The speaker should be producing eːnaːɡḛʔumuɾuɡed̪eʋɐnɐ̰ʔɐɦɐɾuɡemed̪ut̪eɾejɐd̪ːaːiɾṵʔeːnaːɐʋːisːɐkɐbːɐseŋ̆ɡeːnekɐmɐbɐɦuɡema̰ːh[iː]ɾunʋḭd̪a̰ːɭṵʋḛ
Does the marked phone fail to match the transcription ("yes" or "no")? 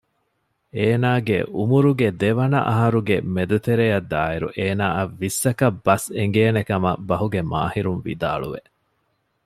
yes